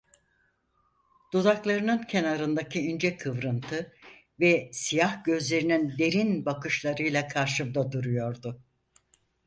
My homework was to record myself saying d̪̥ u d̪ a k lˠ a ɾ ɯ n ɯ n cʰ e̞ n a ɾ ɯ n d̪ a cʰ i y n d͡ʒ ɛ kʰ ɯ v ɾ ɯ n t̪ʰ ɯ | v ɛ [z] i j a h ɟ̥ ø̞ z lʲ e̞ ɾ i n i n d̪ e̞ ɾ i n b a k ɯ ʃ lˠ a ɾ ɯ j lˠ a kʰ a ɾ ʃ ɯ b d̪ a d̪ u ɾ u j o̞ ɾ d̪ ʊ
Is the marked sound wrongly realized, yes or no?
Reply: yes